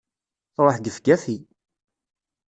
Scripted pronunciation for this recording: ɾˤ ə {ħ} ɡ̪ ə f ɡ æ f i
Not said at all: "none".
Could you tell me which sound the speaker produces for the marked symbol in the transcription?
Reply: ħ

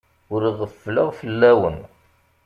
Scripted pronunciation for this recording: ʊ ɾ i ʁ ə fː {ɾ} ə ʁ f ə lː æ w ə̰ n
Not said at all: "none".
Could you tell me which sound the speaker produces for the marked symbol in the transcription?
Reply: l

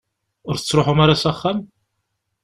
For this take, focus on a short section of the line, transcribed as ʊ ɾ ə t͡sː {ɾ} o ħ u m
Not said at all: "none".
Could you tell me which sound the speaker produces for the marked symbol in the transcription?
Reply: ɾ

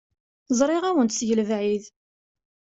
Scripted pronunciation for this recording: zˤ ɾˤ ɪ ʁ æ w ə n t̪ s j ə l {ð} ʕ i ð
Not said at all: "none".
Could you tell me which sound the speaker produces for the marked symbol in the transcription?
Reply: v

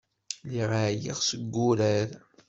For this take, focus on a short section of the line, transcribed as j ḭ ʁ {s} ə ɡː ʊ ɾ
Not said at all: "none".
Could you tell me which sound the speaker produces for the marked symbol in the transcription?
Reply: s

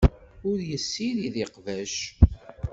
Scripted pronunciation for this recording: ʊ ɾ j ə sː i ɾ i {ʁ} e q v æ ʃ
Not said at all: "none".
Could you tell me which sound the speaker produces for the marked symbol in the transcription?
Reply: ð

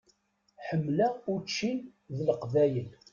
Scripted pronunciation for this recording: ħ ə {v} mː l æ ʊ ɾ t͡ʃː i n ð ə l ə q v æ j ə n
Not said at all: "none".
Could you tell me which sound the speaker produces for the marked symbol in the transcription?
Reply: none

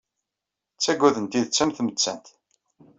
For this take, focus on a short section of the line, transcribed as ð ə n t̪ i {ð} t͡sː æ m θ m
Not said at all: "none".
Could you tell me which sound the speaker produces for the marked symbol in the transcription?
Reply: ð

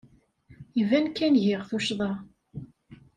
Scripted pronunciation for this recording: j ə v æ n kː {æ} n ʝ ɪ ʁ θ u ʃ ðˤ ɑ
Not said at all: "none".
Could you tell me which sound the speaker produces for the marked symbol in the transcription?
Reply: æ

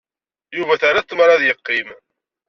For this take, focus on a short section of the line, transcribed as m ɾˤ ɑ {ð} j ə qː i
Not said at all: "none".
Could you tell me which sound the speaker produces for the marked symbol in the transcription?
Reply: ð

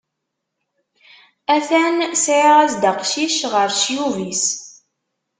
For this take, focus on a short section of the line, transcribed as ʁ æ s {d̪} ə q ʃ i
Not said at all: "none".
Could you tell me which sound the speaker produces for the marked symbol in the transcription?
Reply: d̪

